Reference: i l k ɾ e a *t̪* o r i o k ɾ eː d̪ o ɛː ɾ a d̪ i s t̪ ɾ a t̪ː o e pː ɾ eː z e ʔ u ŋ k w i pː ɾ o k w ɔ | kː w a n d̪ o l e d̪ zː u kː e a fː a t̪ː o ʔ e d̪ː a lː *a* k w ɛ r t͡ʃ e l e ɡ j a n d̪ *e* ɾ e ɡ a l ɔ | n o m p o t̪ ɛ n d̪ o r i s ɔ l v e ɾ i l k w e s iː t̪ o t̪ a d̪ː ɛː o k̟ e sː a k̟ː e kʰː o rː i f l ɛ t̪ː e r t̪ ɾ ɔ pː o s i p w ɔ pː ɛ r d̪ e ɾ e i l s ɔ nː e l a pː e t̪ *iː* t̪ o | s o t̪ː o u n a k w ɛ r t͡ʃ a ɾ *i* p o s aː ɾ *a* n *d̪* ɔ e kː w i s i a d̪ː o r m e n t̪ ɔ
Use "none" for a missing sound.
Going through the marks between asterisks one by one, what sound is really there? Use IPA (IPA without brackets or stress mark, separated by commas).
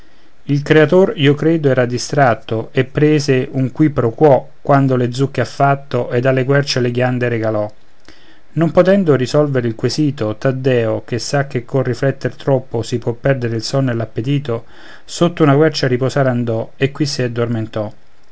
t̪, e, e, iː, i, a, d̪